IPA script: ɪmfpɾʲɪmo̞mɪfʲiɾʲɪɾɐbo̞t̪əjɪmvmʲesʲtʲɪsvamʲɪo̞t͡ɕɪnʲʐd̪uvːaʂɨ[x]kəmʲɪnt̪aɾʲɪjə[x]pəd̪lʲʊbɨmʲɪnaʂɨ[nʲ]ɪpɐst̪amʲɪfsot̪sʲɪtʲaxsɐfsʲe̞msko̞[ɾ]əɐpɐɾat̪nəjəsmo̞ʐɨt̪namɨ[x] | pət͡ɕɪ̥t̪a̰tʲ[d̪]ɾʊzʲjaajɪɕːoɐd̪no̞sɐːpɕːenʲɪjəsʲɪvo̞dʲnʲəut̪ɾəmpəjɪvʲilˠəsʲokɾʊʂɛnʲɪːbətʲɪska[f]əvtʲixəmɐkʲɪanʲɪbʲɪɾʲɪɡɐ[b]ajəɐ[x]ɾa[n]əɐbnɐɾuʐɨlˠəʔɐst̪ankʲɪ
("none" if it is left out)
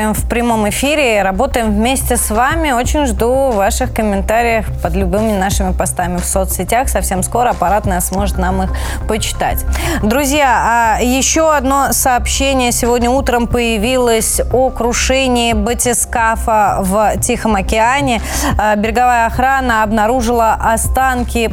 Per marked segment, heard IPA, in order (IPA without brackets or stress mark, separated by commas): x, x, mʲ, ɾ, x, d̪, f, v, x, n